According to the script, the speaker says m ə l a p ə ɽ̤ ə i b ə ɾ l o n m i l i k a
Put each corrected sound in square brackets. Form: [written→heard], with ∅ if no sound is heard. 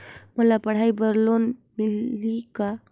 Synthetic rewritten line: m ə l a p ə ɽ̤ [ə→a] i b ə ɾ l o n m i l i k a